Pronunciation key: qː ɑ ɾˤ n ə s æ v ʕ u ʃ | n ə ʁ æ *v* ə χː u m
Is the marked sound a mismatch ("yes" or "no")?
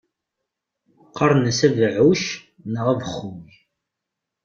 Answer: no